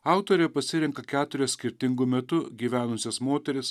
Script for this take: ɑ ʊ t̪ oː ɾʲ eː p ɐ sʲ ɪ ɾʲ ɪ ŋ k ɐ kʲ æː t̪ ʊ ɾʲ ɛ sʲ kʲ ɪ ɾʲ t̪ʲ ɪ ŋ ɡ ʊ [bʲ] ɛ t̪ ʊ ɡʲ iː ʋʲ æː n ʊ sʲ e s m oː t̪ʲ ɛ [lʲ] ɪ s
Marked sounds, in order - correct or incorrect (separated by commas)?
incorrect, incorrect